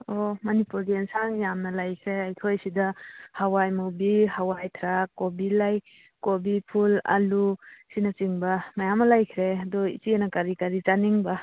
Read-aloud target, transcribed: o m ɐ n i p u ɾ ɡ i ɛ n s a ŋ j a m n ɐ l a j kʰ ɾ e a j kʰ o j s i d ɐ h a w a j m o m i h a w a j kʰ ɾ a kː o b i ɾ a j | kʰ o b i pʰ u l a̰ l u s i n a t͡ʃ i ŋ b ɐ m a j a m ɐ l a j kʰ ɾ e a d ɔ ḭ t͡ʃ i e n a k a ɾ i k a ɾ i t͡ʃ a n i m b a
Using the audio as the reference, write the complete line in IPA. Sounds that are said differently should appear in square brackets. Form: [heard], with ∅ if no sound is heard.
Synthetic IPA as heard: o m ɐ n i p u ɾ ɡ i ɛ n s a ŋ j a m n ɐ l a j kʰ ɾ e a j kʰ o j s i d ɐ h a w a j m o [b] i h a w a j [tʰ] ɾ a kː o b i [l] a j | [k] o b i pʰ u l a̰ l u s i n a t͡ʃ i ŋ b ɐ m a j a m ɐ l a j kʰ ɾ e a d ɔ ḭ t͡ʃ i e n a k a ɾ i k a ɾ i t͡ʃ a n i [ŋ] b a